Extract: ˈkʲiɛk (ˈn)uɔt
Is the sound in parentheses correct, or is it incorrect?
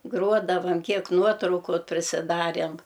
correct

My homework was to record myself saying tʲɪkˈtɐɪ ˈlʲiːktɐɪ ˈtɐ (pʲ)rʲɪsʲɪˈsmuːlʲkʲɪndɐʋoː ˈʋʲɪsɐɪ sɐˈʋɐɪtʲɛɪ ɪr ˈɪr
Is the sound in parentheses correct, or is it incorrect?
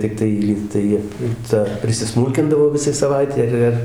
correct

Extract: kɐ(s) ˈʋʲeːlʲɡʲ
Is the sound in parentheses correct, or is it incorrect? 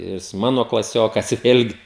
correct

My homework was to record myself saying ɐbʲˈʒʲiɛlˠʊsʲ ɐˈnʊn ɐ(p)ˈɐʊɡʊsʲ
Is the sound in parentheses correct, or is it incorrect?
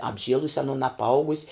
correct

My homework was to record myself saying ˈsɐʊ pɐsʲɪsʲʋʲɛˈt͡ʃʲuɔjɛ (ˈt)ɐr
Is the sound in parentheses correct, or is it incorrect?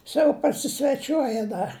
incorrect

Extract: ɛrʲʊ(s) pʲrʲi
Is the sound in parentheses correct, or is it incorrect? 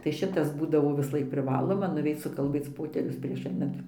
correct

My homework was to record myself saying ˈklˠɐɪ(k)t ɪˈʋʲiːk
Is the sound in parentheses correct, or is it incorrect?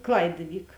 incorrect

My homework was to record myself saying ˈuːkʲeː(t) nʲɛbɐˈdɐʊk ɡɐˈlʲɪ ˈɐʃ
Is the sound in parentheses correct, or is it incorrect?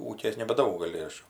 incorrect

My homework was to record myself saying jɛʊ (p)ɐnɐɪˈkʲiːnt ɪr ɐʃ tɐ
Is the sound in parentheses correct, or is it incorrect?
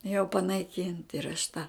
correct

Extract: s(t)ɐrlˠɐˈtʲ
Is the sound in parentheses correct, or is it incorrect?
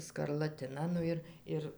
incorrect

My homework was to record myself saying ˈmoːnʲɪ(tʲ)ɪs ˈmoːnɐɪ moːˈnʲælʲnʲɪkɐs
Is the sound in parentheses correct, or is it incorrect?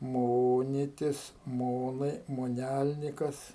correct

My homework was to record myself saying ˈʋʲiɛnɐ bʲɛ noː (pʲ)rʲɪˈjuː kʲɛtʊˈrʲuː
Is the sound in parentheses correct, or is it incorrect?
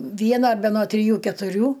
incorrect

